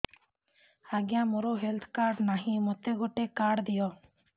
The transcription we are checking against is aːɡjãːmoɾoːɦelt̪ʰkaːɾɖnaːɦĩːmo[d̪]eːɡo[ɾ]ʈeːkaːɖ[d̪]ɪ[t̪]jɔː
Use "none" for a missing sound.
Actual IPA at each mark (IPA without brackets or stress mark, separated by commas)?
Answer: t̪, none, d̪, none